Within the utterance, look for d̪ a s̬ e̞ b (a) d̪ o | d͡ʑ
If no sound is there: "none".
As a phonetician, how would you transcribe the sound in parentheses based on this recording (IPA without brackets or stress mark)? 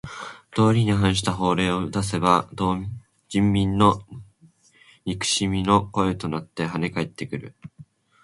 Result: a